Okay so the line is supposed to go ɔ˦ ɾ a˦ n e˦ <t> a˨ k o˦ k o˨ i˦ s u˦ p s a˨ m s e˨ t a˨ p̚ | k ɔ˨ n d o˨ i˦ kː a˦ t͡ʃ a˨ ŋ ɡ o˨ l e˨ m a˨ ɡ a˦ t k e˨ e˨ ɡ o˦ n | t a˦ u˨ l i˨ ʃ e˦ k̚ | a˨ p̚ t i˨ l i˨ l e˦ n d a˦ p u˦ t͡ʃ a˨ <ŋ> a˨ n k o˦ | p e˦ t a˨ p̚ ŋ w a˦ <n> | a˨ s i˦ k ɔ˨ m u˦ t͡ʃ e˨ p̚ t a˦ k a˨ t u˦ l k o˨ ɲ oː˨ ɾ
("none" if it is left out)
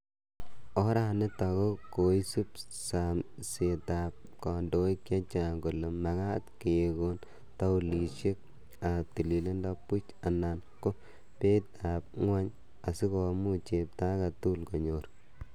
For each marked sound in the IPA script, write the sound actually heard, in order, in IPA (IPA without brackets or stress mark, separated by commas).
t, n, ɲ